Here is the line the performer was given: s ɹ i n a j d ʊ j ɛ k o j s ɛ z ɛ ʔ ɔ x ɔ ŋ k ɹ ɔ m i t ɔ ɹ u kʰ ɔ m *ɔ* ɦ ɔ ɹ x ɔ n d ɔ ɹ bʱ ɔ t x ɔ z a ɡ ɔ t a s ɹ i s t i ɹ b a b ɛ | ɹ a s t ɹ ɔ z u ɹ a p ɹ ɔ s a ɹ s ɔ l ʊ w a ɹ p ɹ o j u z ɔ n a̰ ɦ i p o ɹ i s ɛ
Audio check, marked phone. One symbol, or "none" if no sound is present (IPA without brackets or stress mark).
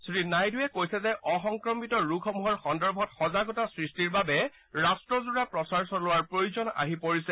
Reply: u